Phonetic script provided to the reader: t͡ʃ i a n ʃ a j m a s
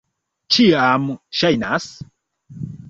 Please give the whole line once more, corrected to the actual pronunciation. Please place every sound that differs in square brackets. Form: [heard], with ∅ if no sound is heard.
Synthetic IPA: t͡ʃ i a [m] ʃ a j [n] a s